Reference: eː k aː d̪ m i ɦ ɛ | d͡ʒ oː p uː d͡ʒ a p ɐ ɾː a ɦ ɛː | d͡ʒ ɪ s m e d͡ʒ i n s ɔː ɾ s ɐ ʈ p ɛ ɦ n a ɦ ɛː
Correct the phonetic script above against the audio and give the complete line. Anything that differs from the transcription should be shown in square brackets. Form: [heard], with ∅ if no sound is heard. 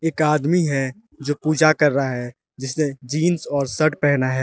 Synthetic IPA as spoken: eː k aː d̪ m i ɦ ɛ | d͡ʒ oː p uː d͡ʒ a [k] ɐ ɾː a ɦ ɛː | d͡ʒ ɪ s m e d͡ʒ [iː] n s ɔː ɾ s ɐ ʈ p ɛ ɦ n a ɦ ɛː